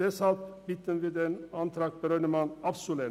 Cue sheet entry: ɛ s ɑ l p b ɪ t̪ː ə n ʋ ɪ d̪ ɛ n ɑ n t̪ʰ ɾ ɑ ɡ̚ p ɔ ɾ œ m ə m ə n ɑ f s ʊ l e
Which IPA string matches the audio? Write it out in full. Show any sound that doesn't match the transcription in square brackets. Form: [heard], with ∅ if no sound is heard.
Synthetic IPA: ɛ s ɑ l p b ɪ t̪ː ə n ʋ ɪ d̪ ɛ n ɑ n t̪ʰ ɾ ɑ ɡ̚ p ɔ ɾ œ [n] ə m [ɑ] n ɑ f s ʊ l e